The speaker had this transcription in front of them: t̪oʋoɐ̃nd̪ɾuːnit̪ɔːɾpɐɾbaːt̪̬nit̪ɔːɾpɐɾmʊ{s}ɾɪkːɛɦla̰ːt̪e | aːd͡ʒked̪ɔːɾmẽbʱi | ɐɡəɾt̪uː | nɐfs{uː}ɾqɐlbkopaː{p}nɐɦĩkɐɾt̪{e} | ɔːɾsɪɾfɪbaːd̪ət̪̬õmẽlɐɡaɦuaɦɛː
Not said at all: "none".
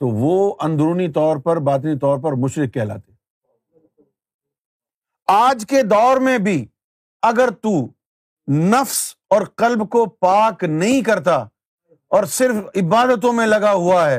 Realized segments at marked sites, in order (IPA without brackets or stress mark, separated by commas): ʃ, ɔː, k, a